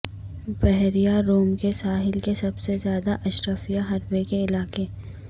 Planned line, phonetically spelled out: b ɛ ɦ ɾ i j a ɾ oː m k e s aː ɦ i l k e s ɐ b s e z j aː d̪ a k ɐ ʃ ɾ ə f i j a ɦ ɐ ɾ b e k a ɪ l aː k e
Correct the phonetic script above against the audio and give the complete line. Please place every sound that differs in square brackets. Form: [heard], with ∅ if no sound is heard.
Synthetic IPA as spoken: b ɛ ɦ ɾ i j a ɾ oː m k e s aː ɦ [ɪ] l k e s ɐ b s e z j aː d̪ a [ʔ] ɐ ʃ ɾ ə f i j a ɦ ɐ ɾ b e k [e] ɪ l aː k e